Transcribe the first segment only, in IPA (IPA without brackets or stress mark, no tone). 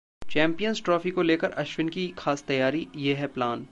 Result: t͡ʃ